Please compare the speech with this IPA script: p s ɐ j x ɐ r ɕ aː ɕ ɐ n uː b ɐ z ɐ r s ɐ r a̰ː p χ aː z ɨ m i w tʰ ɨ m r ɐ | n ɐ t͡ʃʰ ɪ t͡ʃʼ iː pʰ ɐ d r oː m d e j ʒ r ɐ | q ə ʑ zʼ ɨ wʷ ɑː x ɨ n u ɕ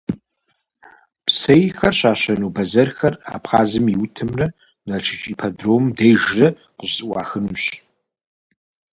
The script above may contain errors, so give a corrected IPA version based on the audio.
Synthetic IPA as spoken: p s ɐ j x ɐ r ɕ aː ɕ ɐ n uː b ɐ z ɐ r x ɐ r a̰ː p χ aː z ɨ m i w tʰ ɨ m r ɐ | n ɐ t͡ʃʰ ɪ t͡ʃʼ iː pʰ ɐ d r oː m d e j ʒ r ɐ | q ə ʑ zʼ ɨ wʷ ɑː x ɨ n u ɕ